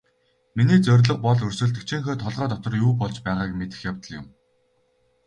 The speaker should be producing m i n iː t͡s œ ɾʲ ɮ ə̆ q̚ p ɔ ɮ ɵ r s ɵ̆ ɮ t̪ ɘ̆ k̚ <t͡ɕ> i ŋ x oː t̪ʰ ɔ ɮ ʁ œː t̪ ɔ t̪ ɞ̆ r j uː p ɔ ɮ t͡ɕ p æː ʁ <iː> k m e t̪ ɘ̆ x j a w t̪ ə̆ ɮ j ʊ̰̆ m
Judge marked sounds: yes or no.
no, no

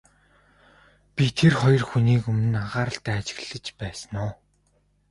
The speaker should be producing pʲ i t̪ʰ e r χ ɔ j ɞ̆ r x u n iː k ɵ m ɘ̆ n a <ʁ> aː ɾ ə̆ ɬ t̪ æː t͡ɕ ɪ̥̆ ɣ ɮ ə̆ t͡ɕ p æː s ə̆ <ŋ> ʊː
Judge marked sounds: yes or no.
yes, no

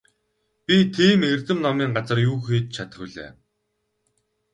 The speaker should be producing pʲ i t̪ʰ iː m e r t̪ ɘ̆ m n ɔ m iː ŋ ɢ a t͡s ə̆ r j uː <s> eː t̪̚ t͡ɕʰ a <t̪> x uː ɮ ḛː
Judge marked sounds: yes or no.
no, yes

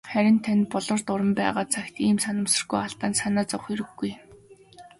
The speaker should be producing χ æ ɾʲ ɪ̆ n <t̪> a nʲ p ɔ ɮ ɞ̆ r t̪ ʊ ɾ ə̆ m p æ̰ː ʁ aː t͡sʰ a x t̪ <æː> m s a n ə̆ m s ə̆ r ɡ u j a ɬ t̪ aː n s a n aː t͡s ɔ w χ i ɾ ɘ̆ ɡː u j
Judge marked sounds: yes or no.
no, no

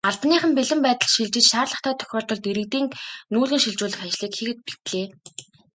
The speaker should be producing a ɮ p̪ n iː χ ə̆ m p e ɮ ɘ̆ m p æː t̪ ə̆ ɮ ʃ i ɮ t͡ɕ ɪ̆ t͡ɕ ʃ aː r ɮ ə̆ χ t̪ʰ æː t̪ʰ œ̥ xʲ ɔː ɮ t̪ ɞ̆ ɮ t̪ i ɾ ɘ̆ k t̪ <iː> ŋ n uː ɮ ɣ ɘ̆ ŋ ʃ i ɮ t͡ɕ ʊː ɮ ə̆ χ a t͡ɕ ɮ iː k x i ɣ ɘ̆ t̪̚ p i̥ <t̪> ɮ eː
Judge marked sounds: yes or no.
yes, yes

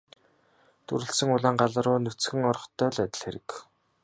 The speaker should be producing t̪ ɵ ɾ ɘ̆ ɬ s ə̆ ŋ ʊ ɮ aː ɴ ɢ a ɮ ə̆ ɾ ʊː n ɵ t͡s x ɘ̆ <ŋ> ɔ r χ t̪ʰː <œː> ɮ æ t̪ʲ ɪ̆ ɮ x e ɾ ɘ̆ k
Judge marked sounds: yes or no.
yes, yes

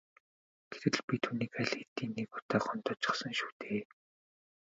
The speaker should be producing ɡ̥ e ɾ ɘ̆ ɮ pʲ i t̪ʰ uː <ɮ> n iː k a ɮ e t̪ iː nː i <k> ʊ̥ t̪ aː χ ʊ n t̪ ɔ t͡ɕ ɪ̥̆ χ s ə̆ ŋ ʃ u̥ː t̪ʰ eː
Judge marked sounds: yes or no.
no, yes

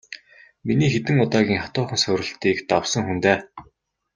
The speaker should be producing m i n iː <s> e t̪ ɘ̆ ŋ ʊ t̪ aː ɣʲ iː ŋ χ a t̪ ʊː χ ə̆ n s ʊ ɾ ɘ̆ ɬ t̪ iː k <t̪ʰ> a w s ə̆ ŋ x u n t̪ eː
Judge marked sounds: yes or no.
no, no

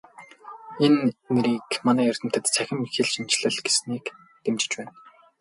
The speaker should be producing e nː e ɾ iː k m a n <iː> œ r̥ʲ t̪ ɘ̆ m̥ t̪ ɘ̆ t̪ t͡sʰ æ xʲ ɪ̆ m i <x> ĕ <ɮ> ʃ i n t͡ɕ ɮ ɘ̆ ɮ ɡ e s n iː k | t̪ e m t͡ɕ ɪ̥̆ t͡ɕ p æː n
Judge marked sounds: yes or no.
no, yes, yes

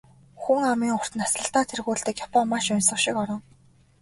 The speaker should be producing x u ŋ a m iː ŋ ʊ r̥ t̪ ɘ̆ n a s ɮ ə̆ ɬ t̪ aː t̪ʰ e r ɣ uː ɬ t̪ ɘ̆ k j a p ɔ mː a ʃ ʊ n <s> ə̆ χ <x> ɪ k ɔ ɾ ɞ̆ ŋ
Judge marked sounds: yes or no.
yes, no

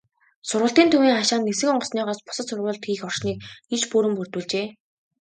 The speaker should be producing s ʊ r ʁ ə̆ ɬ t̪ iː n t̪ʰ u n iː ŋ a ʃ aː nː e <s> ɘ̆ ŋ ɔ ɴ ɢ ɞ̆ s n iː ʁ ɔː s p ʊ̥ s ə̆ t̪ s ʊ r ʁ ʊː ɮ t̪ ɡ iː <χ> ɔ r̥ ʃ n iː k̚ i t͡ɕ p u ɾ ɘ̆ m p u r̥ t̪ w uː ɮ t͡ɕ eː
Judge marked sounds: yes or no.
yes, no

